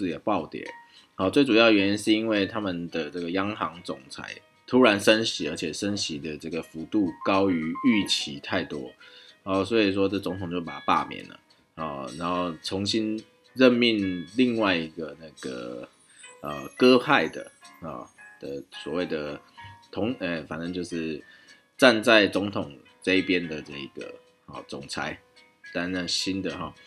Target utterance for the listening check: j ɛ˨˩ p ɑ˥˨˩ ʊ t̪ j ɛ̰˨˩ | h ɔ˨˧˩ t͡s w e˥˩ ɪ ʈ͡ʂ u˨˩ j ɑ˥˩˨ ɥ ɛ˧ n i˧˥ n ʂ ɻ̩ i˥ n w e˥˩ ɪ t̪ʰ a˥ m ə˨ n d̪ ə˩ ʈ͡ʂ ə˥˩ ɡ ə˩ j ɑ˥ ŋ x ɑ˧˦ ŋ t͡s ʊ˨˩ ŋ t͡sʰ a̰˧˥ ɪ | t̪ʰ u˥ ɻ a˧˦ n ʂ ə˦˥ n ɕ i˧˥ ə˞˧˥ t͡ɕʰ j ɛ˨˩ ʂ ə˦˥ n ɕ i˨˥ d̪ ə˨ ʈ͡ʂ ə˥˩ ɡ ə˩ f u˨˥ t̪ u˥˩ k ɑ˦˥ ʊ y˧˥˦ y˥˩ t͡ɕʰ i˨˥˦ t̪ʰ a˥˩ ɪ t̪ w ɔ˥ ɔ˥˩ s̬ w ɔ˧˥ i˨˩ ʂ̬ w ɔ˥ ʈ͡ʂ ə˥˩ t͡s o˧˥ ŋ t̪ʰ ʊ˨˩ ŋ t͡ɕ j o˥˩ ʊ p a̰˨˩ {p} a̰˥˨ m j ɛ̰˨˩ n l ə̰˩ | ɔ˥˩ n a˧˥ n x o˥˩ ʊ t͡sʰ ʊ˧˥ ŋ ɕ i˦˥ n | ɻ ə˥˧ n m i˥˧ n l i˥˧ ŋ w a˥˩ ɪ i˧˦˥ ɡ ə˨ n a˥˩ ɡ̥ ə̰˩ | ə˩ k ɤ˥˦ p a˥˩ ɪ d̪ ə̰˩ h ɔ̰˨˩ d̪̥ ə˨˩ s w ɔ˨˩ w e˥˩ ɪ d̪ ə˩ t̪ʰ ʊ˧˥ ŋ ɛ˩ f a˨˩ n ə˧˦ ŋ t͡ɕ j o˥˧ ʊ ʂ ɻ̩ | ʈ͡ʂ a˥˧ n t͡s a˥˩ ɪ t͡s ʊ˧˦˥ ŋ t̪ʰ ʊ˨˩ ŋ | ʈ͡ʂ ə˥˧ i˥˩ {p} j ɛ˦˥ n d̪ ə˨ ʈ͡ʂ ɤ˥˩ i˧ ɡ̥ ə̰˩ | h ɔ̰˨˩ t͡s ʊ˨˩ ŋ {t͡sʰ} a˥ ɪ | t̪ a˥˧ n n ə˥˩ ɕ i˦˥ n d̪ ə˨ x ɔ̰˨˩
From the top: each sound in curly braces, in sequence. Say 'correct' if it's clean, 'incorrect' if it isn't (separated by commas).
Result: correct, correct, correct